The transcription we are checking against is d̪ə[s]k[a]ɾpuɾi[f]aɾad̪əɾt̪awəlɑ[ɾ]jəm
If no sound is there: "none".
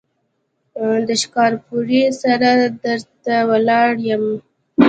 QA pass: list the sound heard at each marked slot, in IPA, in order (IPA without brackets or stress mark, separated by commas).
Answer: ʃ, ɑ, s, ɽ